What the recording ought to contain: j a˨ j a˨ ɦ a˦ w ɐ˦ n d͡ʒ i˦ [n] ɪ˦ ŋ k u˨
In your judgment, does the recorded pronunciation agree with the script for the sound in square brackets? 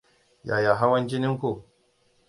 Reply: yes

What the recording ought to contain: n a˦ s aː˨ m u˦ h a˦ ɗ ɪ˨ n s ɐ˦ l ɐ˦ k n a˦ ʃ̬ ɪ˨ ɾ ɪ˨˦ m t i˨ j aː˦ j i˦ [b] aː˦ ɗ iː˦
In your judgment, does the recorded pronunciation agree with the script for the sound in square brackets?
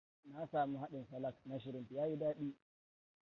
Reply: no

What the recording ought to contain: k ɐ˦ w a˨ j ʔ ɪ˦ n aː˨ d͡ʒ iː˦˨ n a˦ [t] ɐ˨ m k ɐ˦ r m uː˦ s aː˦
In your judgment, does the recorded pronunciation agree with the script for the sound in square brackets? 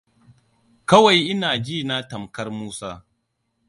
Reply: yes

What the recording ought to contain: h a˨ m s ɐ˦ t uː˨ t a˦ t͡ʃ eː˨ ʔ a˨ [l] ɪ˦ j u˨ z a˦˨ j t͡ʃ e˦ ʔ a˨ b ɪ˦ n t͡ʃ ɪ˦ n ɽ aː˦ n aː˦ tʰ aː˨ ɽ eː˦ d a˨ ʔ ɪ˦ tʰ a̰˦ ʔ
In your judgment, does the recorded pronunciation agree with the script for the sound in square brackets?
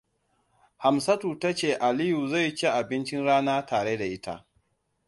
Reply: yes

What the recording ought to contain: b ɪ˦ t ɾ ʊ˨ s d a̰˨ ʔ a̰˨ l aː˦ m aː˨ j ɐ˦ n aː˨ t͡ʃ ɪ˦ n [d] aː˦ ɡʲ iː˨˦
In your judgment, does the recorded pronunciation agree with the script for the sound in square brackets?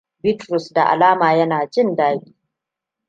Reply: yes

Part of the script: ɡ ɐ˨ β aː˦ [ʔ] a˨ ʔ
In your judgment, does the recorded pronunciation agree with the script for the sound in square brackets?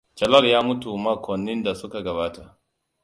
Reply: no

